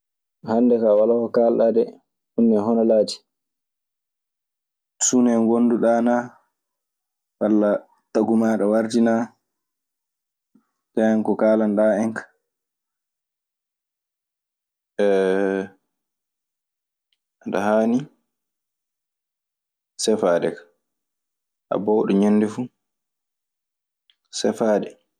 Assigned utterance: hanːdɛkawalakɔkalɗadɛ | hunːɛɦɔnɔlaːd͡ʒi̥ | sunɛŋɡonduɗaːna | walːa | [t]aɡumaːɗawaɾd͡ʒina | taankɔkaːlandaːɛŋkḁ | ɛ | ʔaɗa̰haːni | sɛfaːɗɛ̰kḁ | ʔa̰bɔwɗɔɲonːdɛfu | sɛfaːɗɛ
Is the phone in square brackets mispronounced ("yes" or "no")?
no